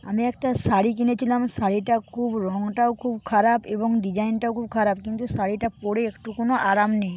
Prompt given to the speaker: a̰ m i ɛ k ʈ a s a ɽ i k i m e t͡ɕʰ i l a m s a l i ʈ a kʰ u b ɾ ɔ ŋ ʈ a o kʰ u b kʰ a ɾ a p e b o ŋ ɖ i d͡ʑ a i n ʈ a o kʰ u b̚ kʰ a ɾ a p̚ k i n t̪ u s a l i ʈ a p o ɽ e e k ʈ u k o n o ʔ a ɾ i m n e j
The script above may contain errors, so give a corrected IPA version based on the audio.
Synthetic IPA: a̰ m i ɛ k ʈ a s a ɽ i k i n e t͡ɕʰ i l a m s a ɽ i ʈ a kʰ u b ɾ ɔ ŋ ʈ a o kʰ u b kʰ a ɾ a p e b o ŋ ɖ i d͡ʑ a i n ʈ a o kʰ u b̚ kʰ a ɾ a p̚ k i n t̪ u s a ɽ i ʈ a p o ɽ e e k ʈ u k o n o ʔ a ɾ a m n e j